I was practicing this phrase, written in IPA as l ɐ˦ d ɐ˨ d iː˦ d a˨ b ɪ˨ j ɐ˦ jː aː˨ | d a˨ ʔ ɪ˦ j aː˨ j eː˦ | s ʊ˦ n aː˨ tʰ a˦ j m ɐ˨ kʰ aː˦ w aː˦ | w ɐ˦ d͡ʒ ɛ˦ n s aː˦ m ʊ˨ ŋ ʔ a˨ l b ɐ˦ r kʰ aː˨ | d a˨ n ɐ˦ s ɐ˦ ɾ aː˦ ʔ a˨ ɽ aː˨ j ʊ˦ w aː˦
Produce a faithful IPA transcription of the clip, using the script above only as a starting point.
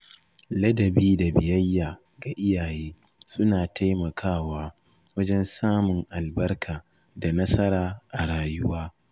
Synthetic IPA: l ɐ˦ d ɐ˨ b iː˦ d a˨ b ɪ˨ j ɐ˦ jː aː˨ | ɡ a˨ ʔ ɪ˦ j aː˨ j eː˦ | s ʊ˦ n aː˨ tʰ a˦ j m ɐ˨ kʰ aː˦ w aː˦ | w ɐ˦ d͡ʒ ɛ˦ n s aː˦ m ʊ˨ ŋ ʔ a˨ l b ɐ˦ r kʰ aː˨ | d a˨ n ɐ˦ s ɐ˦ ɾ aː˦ ʔ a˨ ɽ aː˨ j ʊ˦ w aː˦